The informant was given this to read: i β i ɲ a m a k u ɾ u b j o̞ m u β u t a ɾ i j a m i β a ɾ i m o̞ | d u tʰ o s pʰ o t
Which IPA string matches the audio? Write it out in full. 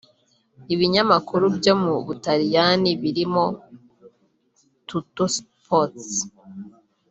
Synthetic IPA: i β i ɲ a m a k u ɾ u b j o̞ m u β u t a ɾ i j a n i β i ɾ i m o̞ | t u t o s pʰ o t